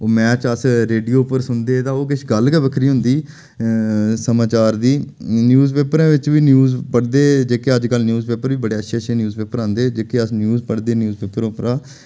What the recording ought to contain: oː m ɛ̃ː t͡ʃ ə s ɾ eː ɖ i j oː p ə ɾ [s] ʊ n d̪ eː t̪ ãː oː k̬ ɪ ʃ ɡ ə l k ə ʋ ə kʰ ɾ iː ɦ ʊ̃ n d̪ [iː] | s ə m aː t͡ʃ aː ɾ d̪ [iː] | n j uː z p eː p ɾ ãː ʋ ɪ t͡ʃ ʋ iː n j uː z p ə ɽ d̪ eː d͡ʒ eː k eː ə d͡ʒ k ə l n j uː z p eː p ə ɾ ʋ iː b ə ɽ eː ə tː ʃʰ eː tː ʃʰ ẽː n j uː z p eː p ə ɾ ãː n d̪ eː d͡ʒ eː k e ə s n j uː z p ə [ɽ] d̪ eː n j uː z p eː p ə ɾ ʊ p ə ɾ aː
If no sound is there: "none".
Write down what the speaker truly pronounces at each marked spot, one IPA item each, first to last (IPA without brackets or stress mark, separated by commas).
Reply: s, iː, iː, ɽ